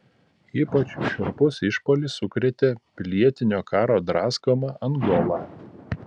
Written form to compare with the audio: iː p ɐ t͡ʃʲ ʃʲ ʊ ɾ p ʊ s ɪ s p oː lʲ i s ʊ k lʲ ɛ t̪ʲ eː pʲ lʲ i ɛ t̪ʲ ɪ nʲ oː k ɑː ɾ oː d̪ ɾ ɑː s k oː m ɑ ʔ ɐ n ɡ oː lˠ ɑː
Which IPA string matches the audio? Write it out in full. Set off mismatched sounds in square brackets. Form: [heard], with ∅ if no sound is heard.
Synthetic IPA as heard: iː p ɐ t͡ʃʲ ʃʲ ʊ ɾ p ʊ s ɪ [ʃ] p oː lʲ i s ʊ k [ɾʲ] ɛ t̪ʲ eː pʲ lʲ i ɛ t̪ʲ ɪ nʲ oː k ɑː ɾ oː d̪ ɾ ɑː s k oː m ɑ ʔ ɐ n ɡ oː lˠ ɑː